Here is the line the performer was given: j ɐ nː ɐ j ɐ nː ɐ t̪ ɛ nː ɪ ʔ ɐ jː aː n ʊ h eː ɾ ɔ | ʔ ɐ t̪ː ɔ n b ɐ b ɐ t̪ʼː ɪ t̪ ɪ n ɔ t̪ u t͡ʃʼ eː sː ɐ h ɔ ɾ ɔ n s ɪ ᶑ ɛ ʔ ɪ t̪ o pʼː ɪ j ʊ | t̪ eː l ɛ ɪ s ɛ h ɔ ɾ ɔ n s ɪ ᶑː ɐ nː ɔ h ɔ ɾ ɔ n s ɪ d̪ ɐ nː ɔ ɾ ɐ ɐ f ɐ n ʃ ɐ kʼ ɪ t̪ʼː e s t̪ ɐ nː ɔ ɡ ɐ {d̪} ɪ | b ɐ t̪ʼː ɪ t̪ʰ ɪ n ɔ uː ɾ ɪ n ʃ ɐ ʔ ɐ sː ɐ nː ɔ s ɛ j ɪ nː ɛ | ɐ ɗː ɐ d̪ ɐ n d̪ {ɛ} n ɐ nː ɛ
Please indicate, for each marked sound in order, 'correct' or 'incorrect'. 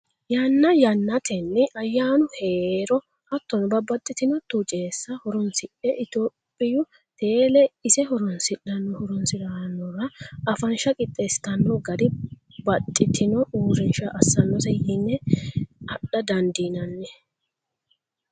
correct, incorrect: i

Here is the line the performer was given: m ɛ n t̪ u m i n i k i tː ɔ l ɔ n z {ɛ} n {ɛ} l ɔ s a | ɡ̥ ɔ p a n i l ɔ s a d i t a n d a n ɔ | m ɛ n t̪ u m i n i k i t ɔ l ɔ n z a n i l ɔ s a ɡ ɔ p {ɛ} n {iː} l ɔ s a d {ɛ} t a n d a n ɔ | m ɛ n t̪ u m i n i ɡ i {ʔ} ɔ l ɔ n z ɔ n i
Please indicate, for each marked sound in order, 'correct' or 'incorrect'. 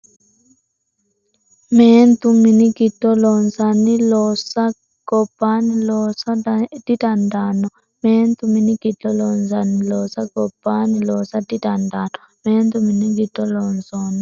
incorrect: a, incorrect: i, incorrect: a, incorrect: i, incorrect: i, incorrect: t

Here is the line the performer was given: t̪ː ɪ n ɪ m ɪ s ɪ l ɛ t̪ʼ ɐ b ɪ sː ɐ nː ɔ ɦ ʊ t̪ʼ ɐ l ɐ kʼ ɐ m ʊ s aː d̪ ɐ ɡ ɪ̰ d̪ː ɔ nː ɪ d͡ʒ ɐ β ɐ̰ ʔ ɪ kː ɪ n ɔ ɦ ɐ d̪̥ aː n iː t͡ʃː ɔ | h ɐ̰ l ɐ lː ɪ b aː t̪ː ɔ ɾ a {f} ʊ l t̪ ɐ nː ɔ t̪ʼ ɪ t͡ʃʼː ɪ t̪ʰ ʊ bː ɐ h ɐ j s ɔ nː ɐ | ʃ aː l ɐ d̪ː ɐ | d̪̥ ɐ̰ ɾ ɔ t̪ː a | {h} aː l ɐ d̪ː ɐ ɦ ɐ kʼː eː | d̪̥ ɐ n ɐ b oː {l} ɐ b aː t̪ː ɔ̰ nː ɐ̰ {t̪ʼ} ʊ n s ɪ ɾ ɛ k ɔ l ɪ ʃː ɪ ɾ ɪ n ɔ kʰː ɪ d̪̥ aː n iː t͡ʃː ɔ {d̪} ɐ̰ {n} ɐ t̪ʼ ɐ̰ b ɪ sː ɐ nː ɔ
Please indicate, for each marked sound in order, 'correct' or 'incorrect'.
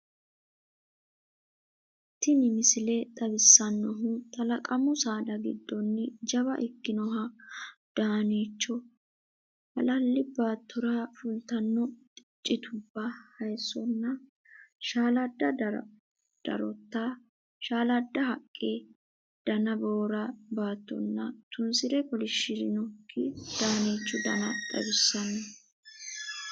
correct, incorrect: ʃ, incorrect: ɾ, incorrect: t̪, correct, correct

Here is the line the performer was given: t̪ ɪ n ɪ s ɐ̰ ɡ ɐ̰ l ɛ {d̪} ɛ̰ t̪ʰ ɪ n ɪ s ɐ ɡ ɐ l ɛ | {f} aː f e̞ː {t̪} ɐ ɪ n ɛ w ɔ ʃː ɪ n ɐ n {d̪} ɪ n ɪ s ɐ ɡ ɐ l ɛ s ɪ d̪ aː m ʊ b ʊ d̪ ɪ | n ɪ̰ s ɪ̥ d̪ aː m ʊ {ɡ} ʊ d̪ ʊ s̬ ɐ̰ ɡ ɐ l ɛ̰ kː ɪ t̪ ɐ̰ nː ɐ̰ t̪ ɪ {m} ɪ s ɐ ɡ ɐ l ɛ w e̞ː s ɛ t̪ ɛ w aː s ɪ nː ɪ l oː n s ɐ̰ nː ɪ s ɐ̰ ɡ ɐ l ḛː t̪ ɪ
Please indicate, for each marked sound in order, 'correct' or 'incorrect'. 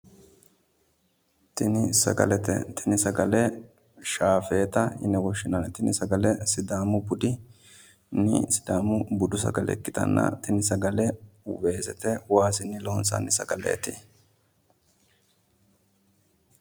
incorrect: t̪, incorrect: ʃ, correct, incorrect: t̪, incorrect: b, incorrect: n

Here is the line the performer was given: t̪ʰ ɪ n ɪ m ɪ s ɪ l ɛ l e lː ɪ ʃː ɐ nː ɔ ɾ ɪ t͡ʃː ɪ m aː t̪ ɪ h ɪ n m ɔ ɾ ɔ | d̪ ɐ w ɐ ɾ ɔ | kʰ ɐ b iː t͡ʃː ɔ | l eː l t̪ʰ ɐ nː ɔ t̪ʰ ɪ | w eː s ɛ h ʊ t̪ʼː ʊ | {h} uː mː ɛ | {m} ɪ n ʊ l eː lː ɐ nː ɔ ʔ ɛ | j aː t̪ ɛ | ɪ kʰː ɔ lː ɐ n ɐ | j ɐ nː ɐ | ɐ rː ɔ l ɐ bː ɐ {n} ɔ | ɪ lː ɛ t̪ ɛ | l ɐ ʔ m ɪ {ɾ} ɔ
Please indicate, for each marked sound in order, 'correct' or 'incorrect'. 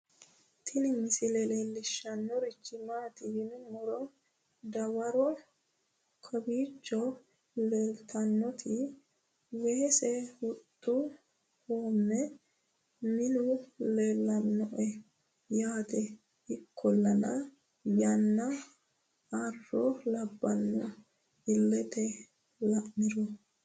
correct, correct, incorrect: nː, correct

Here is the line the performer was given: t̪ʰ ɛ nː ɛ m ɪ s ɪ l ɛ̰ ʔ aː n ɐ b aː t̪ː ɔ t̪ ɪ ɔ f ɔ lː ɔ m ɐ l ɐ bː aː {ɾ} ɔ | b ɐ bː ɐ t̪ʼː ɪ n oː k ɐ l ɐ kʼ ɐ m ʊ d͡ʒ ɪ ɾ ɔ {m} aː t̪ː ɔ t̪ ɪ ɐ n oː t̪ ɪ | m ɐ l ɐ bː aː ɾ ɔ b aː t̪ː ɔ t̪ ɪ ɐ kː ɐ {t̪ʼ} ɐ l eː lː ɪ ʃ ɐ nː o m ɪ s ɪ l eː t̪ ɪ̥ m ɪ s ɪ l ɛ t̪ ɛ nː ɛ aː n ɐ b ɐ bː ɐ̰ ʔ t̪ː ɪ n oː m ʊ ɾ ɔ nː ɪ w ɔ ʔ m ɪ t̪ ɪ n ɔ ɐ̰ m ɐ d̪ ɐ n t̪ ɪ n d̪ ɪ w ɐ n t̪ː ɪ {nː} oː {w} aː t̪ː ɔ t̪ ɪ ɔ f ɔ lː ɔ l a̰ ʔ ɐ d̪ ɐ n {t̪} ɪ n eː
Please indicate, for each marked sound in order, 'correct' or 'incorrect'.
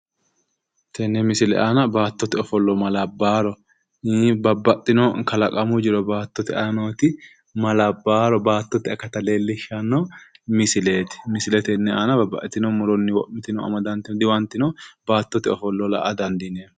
correct, incorrect: b, incorrect: t̪, incorrect: n, incorrect: b, incorrect: d̪

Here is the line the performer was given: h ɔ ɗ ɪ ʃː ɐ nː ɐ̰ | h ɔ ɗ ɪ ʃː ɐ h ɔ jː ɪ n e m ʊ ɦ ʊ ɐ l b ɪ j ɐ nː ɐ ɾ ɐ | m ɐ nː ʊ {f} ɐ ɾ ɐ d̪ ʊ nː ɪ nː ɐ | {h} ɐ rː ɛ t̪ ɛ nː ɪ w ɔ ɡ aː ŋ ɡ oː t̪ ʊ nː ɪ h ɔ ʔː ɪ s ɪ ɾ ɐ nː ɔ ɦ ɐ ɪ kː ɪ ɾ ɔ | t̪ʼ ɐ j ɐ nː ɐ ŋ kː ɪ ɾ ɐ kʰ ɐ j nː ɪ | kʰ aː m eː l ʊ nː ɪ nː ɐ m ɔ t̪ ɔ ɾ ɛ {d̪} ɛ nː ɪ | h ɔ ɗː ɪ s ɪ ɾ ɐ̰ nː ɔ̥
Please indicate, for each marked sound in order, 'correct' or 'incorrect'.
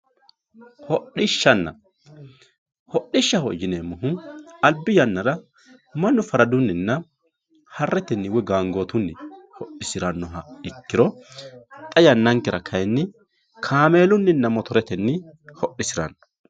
correct, correct, incorrect: t̪

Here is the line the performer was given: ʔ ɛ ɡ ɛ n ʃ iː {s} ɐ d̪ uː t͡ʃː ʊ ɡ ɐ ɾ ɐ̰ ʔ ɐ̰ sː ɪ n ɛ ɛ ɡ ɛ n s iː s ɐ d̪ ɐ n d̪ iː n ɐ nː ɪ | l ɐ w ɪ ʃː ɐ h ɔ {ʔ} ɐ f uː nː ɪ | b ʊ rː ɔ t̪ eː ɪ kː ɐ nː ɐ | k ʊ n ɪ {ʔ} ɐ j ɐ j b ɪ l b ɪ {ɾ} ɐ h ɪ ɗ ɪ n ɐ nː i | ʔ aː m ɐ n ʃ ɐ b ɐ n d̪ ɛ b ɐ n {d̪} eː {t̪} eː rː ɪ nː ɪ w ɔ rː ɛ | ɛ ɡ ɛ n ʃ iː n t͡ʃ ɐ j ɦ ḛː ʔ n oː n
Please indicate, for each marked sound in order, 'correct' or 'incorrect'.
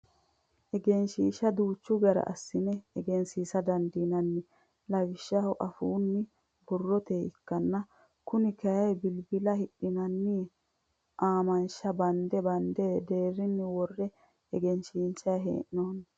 incorrect: ʃ, correct, incorrect: k, incorrect: l, correct, incorrect: d̪

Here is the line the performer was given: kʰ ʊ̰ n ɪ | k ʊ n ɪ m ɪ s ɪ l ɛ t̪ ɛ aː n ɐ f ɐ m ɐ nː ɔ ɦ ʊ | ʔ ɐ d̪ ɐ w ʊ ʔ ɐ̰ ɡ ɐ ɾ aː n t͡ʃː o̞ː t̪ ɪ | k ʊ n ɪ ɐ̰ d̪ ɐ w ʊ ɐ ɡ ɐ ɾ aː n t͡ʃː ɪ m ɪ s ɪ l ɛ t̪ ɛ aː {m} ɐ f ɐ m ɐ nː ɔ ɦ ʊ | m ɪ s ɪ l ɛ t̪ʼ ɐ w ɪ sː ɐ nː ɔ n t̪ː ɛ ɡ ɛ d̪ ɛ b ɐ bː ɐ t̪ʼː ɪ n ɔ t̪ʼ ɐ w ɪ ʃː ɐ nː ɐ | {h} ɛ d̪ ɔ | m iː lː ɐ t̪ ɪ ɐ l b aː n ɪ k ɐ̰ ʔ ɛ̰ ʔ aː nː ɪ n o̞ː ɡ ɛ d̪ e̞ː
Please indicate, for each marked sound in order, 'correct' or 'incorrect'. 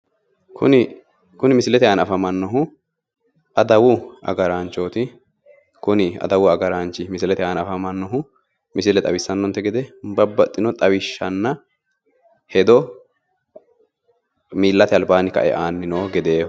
incorrect: n, correct

